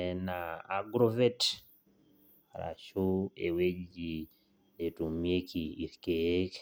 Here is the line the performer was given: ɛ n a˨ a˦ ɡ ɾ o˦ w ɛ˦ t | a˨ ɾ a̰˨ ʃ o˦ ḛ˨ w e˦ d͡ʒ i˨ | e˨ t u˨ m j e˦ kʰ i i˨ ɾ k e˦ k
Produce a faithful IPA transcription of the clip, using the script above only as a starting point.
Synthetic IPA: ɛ n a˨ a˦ ɡ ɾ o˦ v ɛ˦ t | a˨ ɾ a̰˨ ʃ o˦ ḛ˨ w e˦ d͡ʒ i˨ | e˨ t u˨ m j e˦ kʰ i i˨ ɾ k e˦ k